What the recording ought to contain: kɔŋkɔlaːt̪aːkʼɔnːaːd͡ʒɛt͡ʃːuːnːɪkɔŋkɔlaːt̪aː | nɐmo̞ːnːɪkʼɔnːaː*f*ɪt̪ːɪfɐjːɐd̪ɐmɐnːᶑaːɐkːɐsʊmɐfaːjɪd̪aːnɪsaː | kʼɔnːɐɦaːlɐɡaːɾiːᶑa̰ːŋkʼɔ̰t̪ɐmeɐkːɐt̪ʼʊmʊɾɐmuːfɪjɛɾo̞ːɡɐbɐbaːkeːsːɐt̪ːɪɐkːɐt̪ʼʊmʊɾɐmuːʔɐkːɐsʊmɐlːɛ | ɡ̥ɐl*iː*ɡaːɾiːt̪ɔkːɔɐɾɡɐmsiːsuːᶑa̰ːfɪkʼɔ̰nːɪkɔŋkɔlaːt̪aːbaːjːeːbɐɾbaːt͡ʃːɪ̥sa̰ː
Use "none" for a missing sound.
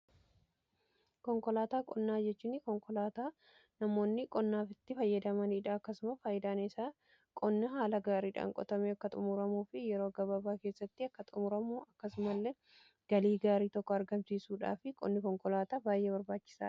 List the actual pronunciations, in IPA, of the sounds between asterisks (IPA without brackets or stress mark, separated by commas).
f, iː